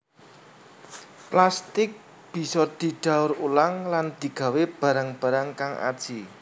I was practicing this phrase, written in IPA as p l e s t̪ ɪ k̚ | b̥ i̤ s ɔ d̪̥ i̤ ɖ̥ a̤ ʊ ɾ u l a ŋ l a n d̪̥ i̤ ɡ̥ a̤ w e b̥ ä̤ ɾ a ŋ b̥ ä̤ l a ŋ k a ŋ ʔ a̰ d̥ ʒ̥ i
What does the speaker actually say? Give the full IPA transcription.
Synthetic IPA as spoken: p l a s t̪ ɪ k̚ | b̥ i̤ s ɔ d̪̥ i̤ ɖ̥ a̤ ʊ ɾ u l a ŋ l a n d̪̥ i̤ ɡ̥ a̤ w e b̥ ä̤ ɾ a ŋ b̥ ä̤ ɾ a ŋ k a ŋ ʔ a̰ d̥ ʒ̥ i